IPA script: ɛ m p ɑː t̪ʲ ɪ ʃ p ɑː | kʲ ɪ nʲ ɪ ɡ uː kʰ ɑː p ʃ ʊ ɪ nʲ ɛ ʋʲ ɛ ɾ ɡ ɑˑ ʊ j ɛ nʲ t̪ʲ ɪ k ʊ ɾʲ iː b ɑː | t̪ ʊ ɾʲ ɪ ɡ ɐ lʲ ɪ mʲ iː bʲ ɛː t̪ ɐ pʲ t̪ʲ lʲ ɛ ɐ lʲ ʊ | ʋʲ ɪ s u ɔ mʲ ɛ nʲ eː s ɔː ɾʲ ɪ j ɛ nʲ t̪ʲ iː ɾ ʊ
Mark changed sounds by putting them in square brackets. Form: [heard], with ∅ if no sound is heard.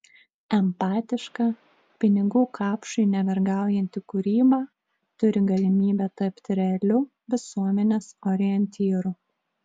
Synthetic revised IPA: ɛ m p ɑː t̪ʲ ɪ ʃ [k] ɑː | [pʲ] ɪ nʲ ɪ ɡ uː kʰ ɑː p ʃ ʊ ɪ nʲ ɛ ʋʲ ɛ ɾ ɡ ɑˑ ʊ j ɛ nʲ t̪ʲ ɪ k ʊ ɾʲ iː b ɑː | t̪ ʊ ɾʲ ɪ ɡ ɐ lʲ ɪ mʲ iː bʲ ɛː t̪ ɐ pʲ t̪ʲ [ɾʲ] ɛ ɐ lʲ ʊ | ʋʲ ɪ s u ɔ mʲ ɛ nʲ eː s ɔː ɾʲ ɪ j ɛ nʲ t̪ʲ iː ɾ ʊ